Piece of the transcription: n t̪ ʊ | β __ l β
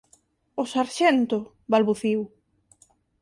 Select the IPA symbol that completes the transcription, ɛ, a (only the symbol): a